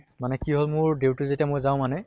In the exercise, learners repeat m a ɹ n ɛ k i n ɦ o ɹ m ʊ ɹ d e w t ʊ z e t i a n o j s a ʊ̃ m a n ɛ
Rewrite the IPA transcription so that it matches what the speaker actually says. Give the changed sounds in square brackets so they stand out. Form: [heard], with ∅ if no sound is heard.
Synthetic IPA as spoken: m a [∅] n ɛ k i [∅] ɦ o [l] m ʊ ɹ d e w t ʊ z e t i a [m] o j [z] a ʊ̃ m a n ɛ